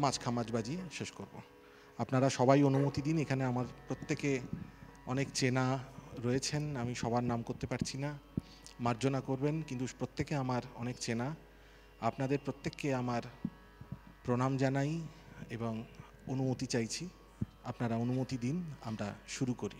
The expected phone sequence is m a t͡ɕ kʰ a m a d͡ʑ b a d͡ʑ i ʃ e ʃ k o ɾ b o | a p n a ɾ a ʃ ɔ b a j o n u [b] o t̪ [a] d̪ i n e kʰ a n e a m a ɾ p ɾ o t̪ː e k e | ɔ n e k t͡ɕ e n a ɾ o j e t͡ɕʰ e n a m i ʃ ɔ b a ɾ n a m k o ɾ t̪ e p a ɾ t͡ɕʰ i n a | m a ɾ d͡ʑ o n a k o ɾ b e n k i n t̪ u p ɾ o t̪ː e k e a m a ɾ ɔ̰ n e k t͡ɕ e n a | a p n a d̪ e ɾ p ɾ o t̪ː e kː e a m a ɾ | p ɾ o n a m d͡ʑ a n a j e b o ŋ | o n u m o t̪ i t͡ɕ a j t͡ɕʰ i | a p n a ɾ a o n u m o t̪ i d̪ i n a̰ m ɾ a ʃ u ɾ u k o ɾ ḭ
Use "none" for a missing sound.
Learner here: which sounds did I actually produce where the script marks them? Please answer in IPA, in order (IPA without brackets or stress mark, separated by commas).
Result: m, i